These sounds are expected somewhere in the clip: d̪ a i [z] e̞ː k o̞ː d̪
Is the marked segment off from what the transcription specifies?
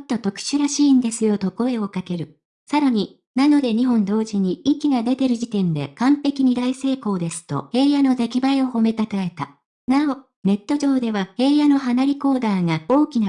yes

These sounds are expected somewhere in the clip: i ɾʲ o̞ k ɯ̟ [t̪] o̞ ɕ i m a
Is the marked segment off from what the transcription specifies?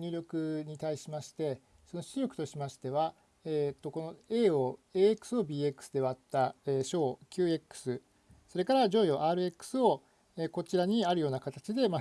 no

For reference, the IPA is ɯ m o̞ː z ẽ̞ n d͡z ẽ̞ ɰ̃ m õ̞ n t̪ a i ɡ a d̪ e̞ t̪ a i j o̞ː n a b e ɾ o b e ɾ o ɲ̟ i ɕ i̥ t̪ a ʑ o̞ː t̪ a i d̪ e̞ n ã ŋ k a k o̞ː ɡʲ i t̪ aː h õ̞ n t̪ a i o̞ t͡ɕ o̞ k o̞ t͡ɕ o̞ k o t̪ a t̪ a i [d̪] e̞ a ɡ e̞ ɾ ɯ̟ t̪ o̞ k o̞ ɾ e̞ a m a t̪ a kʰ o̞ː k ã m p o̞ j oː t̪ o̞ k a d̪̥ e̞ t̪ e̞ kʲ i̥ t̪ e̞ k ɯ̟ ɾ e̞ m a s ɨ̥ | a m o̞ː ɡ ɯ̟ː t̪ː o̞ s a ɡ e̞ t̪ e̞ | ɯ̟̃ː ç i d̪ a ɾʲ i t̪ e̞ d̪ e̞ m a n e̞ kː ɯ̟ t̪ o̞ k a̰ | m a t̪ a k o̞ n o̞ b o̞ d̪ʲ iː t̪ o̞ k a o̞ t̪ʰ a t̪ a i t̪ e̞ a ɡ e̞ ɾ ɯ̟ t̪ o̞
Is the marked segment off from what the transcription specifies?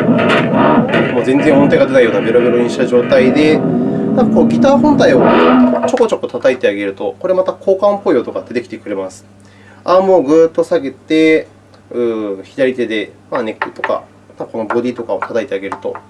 yes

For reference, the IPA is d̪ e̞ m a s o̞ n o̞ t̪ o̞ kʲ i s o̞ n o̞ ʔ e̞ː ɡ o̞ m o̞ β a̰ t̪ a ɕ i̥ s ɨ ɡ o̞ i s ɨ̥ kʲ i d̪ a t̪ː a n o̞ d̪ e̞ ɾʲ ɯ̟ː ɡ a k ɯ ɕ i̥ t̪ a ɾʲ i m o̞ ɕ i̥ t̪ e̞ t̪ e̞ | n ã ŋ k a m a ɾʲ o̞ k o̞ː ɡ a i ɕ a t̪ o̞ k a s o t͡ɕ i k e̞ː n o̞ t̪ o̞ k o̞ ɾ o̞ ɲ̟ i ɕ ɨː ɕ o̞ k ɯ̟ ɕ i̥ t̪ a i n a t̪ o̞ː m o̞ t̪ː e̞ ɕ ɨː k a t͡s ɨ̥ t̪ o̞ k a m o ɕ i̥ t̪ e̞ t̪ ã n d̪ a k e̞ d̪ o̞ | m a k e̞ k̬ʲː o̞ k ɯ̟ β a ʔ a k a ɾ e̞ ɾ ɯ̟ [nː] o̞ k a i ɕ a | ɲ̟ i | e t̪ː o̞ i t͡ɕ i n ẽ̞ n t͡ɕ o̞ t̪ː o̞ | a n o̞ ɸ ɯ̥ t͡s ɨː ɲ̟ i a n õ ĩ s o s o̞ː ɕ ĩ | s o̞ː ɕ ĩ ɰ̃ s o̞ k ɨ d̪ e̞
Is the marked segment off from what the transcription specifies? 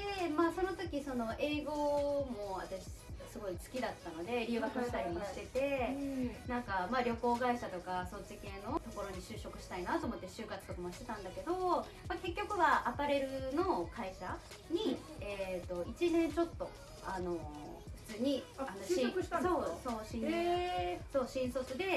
yes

